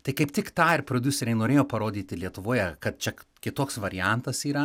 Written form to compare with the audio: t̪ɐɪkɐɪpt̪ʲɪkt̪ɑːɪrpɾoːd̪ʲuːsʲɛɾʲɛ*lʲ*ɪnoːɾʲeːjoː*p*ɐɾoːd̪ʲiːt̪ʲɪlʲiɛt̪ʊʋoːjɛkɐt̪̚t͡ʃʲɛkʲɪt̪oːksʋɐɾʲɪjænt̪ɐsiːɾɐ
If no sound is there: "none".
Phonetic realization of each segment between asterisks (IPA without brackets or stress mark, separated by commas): none, p